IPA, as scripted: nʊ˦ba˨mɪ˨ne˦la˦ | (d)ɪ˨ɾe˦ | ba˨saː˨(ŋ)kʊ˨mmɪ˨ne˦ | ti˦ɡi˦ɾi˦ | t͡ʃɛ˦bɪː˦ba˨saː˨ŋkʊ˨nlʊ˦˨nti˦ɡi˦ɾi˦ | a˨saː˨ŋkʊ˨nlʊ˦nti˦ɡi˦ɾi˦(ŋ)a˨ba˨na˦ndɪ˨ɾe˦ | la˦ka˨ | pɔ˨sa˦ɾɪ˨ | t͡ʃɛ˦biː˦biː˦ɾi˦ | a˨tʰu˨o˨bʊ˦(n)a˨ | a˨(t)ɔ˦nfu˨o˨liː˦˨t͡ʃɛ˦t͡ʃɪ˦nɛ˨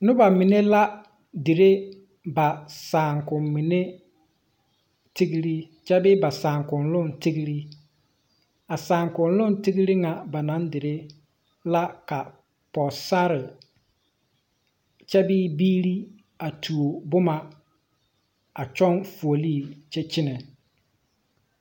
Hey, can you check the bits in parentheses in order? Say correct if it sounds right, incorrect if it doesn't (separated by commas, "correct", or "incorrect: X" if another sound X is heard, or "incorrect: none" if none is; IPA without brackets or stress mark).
correct, correct, correct, incorrect: m, incorrect: t͡ʃ